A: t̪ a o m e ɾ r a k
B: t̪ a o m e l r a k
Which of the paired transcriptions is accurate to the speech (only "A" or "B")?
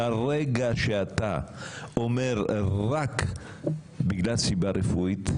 A